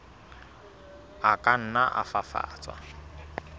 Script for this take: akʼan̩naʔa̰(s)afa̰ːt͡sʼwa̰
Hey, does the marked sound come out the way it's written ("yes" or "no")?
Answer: no